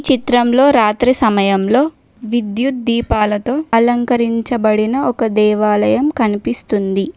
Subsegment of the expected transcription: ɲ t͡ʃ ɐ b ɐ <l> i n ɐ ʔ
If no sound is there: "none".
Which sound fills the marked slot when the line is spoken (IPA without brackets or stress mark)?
ɽ